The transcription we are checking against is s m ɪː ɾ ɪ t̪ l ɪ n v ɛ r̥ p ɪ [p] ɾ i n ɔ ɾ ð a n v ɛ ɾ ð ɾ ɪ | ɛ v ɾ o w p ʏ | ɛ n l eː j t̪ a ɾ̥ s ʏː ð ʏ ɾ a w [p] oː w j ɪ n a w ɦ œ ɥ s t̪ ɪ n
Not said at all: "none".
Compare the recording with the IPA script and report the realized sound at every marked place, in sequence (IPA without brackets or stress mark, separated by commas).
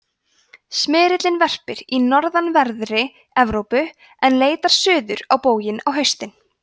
none, p